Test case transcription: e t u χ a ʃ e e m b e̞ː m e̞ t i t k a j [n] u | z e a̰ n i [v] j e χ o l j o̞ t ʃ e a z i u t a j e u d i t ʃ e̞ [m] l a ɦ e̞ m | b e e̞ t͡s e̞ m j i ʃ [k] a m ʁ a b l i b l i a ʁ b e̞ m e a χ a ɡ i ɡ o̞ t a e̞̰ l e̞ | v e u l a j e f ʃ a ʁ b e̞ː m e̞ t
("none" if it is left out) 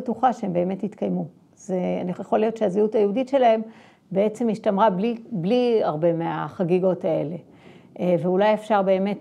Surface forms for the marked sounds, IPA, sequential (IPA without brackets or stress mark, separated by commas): m, none, none, t